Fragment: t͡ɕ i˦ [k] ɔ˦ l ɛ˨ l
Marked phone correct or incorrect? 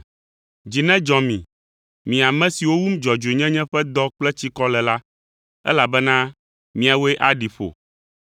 correct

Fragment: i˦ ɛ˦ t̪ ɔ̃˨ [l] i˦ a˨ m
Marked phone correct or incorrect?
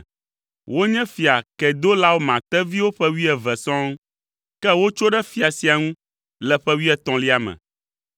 correct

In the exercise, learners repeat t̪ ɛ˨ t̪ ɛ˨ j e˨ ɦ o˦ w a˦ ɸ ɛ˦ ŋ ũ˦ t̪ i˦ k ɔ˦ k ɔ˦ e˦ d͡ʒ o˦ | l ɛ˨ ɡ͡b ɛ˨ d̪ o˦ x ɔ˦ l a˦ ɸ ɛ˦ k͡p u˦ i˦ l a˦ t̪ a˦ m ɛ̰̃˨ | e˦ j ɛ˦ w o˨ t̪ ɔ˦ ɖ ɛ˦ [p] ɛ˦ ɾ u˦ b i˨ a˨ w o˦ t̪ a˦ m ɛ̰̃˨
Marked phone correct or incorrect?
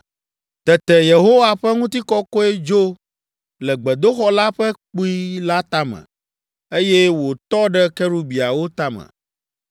incorrect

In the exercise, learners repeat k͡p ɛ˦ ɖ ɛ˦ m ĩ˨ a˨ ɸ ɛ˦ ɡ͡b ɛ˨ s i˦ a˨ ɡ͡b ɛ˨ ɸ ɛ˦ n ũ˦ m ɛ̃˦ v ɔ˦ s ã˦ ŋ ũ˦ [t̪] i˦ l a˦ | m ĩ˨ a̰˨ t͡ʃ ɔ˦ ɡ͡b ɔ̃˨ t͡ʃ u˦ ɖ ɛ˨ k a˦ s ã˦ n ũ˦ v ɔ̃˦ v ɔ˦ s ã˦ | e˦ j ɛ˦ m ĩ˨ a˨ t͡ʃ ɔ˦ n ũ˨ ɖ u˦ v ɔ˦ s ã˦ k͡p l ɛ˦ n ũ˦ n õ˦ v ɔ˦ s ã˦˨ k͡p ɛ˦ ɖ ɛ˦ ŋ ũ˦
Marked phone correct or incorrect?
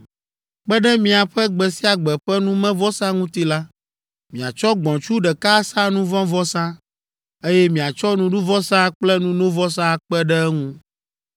correct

